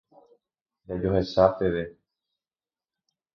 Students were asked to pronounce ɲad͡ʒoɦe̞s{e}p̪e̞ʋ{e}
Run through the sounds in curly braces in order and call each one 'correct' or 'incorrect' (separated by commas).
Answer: incorrect, correct